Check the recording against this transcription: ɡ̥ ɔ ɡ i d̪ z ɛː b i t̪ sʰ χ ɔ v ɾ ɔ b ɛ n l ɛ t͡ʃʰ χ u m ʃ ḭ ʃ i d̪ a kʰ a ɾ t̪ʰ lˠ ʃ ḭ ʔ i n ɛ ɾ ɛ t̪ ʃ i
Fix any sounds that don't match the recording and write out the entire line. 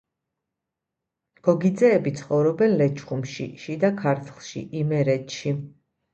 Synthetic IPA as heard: ɡ̥ ɔ ɡ i d̪ z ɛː b i t̪ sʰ χ ɔ v ɾ ɔ b ɛ n l ɛ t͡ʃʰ χ u m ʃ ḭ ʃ i d̪ a kʰ a ɾ t̪ʰ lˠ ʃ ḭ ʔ i m ɛ ɾ ɛ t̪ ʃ i